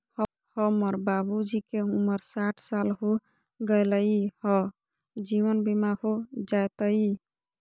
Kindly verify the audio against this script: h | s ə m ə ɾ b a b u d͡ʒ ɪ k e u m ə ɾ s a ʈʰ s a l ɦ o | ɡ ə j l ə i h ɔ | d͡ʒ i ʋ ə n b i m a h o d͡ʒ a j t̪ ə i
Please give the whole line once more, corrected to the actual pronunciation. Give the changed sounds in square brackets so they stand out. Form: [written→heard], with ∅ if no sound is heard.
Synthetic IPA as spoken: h | [s→h] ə m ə ɾ b a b u d͡ʒ [ɪ→i] k e u m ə ɾ s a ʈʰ s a l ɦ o | ɡ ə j l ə i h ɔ | d͡ʒ i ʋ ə n b i m a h o d͡ʒ a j t̪ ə i